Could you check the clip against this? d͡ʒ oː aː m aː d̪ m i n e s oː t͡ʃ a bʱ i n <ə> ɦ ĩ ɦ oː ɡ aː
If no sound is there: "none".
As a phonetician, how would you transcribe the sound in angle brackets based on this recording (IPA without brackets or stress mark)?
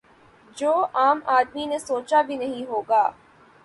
ɐ